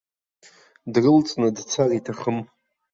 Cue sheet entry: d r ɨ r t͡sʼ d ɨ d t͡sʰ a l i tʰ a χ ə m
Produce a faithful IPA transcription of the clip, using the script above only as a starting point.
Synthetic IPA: d r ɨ l t͡sʼ n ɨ d t͡sʰ a r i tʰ a χ ə m